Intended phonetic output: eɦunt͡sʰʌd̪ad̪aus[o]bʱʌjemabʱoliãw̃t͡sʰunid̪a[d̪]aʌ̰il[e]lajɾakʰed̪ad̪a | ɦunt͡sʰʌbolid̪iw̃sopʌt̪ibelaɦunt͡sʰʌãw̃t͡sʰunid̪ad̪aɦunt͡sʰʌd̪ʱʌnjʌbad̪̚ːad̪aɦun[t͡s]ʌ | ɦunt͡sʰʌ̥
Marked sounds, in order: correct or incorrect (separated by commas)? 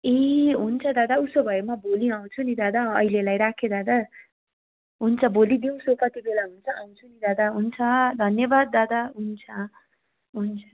correct, correct, correct, incorrect